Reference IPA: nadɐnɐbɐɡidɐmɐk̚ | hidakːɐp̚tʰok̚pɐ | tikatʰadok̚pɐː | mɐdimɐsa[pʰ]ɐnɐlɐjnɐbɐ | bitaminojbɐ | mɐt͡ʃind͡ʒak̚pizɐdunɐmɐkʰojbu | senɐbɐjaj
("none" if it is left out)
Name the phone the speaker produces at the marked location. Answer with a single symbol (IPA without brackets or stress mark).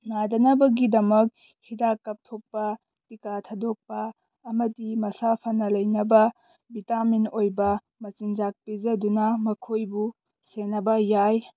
pʰ